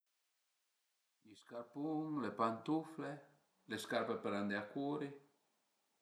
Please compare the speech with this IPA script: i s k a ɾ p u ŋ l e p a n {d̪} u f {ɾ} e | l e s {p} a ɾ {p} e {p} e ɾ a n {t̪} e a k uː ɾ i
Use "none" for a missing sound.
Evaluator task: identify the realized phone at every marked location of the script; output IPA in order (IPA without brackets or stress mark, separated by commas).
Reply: t̪, l, k, p, p, d̪